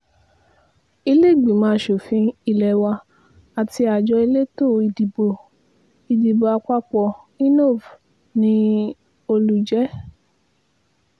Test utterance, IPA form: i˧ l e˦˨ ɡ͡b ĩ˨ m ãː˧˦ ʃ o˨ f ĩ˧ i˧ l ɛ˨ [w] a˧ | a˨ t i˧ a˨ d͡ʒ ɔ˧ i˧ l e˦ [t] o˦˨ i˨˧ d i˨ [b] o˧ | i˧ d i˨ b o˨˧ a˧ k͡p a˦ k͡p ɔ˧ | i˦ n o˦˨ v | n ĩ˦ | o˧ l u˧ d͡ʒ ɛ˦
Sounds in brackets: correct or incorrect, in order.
correct, correct, correct

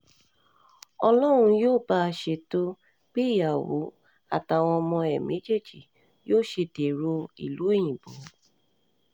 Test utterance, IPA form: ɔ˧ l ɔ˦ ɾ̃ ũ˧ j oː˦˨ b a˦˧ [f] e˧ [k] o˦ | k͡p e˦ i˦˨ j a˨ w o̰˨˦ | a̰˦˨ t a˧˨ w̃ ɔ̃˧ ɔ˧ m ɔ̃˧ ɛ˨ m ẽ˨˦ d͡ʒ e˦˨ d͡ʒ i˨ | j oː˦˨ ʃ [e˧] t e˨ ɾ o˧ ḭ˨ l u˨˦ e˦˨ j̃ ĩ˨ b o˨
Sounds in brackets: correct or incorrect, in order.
incorrect: ʃ, incorrect: t, correct

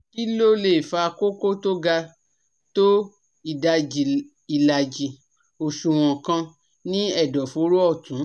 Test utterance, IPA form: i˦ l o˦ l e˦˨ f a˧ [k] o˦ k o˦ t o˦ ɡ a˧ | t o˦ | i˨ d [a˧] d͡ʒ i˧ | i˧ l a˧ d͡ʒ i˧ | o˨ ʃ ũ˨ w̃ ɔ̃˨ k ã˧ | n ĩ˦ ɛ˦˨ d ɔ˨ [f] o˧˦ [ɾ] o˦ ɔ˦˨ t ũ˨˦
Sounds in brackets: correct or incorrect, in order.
correct, correct, correct, correct

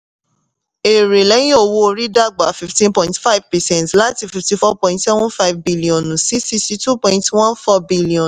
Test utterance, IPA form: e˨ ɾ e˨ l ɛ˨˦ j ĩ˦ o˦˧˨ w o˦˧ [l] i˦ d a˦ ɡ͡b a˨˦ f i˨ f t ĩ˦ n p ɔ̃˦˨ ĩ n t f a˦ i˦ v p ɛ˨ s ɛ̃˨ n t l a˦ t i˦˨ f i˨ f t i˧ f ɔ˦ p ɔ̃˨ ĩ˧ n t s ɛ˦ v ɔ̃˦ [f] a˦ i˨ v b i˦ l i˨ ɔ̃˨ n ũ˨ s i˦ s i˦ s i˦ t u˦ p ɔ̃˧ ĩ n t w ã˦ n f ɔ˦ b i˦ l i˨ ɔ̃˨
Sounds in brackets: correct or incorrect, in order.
incorrect: ɾ, correct

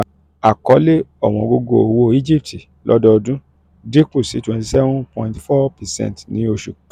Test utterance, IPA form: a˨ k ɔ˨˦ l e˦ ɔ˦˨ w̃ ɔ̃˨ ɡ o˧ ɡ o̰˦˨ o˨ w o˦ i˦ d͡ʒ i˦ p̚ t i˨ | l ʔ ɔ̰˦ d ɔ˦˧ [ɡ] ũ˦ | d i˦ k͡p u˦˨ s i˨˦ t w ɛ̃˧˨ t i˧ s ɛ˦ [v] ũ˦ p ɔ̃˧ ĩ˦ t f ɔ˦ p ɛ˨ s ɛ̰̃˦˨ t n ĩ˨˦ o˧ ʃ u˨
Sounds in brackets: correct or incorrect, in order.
incorrect: d, correct

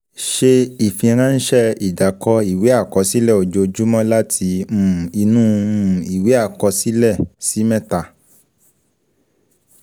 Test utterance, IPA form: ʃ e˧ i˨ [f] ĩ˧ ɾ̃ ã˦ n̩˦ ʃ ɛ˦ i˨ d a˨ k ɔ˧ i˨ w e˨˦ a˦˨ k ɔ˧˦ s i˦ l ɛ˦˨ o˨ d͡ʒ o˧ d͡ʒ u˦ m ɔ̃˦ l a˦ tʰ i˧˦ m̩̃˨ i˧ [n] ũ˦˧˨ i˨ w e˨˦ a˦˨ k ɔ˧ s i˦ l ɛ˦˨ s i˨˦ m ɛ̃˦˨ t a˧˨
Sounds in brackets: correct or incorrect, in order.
correct, correct

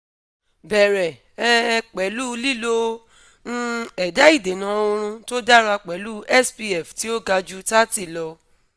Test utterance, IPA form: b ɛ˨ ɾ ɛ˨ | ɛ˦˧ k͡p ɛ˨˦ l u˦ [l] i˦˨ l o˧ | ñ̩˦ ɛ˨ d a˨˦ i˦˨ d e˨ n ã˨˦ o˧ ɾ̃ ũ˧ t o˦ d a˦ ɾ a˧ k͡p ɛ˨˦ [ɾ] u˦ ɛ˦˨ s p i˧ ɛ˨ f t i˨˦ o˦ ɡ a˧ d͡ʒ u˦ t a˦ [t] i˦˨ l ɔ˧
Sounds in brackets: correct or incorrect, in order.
correct, incorrect: l, correct

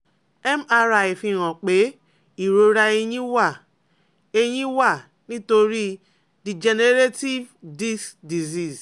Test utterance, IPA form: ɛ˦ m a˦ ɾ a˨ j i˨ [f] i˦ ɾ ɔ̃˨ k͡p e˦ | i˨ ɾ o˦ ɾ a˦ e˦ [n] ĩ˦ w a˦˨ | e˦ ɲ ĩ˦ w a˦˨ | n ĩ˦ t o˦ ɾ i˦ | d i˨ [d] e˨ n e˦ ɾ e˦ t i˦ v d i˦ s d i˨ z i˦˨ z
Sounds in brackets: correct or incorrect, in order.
correct, incorrect: ɲ, incorrect: d͡ʒ

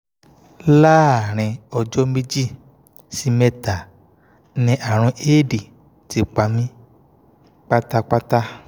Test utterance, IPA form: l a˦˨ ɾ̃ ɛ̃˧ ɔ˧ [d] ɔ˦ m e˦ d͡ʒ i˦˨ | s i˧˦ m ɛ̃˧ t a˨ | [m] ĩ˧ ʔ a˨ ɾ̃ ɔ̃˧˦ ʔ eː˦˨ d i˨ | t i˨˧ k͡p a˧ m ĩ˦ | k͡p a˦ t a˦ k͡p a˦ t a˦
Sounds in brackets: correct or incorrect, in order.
incorrect: d͡ʒ, incorrect: n

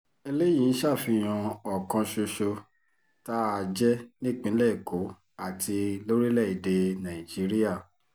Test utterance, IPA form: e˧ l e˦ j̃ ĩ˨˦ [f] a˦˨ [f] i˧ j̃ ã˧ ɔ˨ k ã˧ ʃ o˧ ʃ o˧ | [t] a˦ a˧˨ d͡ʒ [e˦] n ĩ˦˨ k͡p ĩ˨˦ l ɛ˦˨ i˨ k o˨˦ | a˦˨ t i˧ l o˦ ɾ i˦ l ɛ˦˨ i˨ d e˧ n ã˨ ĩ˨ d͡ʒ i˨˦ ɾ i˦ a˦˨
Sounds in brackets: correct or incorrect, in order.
incorrect: ʃ, correct, correct, incorrect: ɛ˦

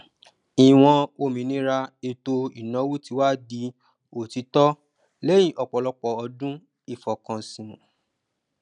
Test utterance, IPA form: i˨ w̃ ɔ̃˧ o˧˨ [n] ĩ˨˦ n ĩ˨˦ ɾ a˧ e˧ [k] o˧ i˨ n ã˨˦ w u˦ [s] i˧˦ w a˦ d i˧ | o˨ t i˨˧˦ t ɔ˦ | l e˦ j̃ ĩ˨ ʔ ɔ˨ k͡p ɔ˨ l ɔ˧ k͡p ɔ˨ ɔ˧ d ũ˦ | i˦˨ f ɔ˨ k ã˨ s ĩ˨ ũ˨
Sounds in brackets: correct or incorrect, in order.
incorrect: m, incorrect: t, incorrect: t

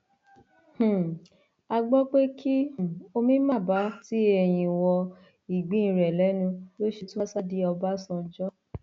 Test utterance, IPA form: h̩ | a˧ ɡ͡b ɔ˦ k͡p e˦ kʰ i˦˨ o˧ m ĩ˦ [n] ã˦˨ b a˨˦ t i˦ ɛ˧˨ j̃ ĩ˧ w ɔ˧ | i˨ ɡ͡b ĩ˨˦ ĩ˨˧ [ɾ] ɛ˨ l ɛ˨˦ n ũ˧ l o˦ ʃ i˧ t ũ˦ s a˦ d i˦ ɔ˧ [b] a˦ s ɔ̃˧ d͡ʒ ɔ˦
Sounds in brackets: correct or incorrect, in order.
incorrect: m, correct, correct

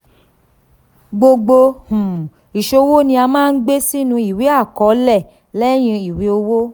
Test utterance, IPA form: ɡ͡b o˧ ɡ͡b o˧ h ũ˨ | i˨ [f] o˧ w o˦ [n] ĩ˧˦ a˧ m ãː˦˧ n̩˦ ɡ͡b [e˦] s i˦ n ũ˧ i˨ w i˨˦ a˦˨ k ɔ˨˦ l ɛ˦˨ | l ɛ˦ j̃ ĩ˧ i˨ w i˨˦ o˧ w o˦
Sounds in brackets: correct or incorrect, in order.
incorrect: ʃ, correct, correct

